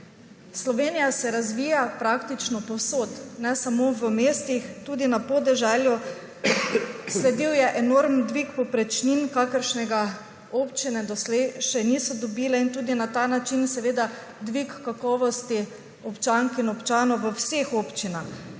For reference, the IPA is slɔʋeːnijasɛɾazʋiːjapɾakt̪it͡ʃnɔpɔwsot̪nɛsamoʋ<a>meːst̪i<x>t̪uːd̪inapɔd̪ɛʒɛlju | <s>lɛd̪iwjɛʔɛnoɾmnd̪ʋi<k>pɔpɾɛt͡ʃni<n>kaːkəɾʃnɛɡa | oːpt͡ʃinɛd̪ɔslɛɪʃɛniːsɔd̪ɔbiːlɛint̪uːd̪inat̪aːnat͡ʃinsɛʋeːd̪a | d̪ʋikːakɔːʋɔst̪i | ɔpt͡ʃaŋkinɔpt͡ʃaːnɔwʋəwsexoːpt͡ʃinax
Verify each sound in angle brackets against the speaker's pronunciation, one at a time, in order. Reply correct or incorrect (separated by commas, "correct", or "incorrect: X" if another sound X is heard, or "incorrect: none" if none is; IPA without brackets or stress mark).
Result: incorrect: ə, correct, correct, correct, correct